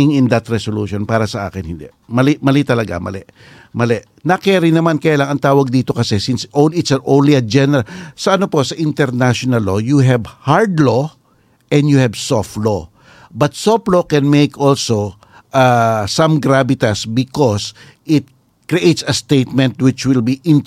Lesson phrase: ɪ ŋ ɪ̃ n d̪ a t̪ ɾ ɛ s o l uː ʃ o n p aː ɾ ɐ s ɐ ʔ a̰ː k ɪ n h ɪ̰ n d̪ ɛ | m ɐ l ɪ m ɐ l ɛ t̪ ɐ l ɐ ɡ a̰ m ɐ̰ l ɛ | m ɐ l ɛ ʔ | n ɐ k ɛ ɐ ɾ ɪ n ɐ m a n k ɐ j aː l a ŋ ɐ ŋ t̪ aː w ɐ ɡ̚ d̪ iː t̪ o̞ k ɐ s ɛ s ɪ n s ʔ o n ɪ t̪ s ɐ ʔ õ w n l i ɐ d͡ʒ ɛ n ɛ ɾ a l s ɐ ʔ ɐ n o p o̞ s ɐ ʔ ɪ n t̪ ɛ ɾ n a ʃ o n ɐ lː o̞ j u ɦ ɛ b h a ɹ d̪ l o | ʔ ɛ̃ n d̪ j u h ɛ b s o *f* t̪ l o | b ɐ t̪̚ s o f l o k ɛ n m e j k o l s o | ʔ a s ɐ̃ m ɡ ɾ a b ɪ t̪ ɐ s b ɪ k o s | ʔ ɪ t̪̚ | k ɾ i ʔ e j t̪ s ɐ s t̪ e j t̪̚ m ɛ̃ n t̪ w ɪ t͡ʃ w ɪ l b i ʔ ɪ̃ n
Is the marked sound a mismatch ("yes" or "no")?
no